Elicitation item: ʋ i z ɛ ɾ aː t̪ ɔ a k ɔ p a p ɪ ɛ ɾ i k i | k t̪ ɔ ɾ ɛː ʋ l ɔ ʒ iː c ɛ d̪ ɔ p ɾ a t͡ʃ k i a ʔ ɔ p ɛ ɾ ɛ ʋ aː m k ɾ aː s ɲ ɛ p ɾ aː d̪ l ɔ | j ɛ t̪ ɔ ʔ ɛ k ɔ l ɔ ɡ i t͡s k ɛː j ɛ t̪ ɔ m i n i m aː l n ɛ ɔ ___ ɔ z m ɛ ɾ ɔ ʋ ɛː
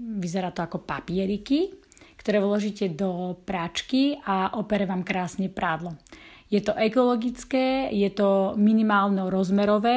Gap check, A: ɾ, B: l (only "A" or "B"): A